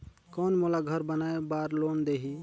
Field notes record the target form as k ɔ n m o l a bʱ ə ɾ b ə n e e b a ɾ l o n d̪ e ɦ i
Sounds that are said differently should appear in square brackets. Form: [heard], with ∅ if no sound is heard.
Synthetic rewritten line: k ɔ n m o l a [ɡʱ] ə ɾ b ə n [a] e b a ɾ l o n d̪ e ɦ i